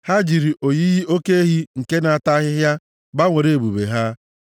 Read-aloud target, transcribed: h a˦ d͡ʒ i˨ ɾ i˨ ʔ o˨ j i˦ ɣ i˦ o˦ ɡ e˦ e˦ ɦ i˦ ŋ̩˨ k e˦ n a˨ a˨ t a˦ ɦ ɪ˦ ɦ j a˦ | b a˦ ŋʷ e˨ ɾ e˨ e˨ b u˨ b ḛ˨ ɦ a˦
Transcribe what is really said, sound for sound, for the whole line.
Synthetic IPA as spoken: h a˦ d͡ʒ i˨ ɾ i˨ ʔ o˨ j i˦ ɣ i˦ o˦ k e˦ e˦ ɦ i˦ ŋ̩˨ k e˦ n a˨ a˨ t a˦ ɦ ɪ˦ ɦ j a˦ | b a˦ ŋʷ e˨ ɾ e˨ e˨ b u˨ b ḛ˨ ɦ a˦

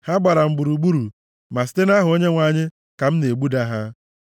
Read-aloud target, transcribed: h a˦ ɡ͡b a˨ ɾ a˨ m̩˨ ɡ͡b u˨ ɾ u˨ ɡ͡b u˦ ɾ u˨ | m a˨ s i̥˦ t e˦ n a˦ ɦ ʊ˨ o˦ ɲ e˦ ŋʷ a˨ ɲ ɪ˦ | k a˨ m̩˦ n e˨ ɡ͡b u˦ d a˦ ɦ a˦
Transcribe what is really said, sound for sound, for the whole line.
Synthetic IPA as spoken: h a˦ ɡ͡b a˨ ɾ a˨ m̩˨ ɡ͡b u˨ ɾ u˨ ɡ͡b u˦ ɾ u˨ | m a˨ s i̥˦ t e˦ n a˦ ɦ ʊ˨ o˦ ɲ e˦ ŋʷ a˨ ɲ ɪ˦ | k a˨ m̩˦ n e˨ ɡ͡b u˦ d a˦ ɦ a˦

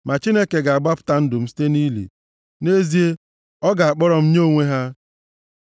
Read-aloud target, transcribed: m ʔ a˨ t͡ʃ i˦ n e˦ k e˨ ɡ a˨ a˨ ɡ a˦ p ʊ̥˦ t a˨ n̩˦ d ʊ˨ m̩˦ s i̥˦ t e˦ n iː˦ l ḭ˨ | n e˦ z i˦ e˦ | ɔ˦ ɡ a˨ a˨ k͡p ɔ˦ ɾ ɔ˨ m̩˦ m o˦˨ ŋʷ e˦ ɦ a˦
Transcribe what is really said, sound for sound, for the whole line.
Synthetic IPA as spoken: m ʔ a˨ t͡ʃ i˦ n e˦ k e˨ ɡ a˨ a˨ ɡ͡b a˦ p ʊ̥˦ t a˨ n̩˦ d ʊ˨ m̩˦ s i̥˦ t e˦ n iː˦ l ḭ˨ | n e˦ z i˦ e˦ | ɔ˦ ɡ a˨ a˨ k͡p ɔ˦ ɾ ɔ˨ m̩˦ ɲ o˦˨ ŋʷ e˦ ɦ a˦

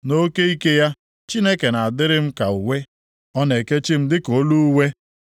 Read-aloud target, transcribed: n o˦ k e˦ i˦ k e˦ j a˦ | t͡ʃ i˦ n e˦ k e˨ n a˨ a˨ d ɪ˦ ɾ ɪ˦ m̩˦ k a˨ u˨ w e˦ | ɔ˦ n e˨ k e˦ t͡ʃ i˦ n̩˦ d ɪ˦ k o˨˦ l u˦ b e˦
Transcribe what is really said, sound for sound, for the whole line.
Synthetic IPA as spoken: n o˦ k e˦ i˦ k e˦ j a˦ | t͡ʃ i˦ n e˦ k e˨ n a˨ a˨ d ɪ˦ ɾ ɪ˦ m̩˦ k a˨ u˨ w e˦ | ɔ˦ n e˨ k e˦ t͡ʃ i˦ m̩˦ d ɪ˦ k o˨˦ l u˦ w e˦

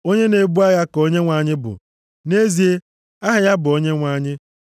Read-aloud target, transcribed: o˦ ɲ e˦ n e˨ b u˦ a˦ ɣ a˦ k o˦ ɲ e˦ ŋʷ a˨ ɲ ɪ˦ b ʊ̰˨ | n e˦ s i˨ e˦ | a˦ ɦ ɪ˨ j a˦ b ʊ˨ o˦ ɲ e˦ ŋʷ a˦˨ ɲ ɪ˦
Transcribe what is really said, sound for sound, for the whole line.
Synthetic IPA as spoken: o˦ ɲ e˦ n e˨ b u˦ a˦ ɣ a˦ k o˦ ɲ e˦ ŋʷ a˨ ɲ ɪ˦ b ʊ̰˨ | n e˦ z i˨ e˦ | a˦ ɦ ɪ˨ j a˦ b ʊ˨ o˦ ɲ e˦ ŋʷ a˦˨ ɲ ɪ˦

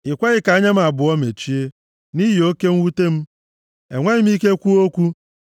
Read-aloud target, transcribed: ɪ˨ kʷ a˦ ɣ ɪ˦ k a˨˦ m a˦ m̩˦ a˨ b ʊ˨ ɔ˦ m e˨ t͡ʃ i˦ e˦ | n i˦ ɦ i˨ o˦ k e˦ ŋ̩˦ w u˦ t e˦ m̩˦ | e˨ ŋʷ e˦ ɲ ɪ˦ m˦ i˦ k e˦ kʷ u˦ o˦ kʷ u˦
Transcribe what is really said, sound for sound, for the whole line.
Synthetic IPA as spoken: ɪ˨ kʷ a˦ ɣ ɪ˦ k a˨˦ ɲ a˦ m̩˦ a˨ b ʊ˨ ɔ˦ m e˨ t͡ʃ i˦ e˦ | n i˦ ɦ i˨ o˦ k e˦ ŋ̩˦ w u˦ t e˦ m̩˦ | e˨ ŋʷ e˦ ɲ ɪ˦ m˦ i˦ k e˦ kʷ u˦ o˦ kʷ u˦

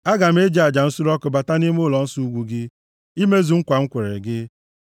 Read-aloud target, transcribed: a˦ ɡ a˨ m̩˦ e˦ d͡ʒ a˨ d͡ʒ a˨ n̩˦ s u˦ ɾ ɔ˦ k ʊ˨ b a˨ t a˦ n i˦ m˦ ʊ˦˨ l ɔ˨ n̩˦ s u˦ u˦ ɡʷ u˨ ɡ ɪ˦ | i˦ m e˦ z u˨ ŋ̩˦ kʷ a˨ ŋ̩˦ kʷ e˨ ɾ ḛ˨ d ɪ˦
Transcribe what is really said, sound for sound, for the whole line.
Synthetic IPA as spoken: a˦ ɡ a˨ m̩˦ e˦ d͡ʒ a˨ d͡ʒ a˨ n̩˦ s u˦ ɾ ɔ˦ k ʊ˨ b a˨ t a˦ n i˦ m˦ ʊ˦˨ l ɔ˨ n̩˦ s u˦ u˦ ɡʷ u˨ ɡ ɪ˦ | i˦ m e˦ z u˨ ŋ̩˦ kʷ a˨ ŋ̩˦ kʷ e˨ ɾ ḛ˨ ɡ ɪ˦

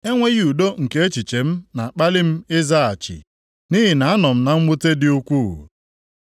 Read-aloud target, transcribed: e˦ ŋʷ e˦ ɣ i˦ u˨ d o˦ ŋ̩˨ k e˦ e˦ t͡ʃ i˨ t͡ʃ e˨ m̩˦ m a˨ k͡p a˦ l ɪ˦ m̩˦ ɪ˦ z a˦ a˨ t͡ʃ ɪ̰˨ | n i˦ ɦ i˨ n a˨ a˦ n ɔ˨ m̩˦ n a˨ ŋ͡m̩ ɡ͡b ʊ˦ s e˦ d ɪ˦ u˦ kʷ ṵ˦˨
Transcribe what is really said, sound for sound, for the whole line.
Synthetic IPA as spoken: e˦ ŋʷ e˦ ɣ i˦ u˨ d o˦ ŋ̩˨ k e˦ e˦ t͡ʃ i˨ t͡ʃ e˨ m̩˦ n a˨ k͡p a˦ l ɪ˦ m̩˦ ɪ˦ z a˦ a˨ t͡ʃ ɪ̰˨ | n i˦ ɦ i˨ n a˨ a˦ n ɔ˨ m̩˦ n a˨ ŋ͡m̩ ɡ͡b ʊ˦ t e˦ d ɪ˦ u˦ kʷ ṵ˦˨

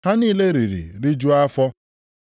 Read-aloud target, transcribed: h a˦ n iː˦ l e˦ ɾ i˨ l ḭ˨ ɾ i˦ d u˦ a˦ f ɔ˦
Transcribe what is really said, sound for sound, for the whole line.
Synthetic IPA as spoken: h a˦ n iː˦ l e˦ ɾ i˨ ɾ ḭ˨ ɾ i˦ d͡ʒ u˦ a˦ f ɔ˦

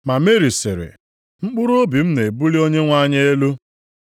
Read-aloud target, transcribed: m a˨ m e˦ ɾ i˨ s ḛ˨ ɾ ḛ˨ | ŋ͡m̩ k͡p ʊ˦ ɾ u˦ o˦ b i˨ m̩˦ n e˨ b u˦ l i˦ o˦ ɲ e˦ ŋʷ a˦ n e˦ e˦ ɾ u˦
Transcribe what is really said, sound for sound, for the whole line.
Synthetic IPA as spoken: m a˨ m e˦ ɾ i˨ s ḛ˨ ɾ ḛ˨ | ŋ͡m̩ k͡p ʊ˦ ɾ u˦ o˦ b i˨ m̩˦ n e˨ b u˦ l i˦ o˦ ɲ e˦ ŋʷ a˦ ɲ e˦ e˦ l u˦

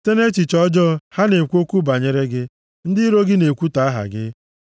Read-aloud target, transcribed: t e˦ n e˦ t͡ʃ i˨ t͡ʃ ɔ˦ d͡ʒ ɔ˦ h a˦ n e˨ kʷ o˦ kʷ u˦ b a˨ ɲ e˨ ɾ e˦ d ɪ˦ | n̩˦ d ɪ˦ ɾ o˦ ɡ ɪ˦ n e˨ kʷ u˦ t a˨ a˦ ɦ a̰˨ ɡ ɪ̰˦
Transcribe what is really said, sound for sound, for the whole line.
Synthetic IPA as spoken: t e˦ n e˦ t͡ʃ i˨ t͡ʃ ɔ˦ d͡ʒ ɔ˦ h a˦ n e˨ kʷ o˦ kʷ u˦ b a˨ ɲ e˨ ɾ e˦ ɡ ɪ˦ | n̩˦ d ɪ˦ ɾ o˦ ɡ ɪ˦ n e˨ kʷ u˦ t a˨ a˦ ɦ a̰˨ ɡ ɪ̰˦

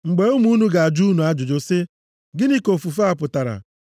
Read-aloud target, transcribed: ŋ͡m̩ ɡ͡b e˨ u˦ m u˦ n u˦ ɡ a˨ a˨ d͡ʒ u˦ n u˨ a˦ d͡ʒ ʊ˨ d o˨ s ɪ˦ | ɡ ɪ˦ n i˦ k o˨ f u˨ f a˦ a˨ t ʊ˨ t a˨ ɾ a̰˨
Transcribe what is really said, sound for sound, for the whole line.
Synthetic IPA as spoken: ŋ͡m̩ ɡ͡b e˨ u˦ m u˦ n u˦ ɡ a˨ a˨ d͡ʒ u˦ n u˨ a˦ d͡ʒ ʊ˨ d͡ʒ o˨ s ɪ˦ | ɡ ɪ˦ n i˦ k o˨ f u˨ f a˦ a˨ p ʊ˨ t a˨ ɾ a̰˨

